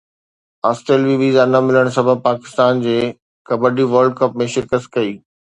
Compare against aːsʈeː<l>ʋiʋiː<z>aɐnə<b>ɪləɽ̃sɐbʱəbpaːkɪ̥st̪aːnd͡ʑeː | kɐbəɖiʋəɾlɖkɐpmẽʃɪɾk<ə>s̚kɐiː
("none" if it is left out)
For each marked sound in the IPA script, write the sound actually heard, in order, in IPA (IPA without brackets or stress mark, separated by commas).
l, z, m, ə